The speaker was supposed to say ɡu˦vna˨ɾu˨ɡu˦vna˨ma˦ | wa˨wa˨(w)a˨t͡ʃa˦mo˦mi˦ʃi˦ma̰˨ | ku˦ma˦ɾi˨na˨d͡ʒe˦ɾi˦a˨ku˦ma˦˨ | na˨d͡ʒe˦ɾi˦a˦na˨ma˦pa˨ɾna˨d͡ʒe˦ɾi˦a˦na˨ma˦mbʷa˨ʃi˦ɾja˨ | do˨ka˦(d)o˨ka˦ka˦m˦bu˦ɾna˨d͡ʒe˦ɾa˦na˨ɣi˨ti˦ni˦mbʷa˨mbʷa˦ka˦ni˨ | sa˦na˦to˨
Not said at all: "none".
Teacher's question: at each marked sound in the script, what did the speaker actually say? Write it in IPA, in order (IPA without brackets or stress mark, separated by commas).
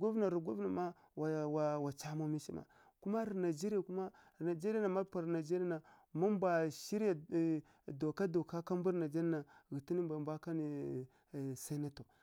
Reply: w, d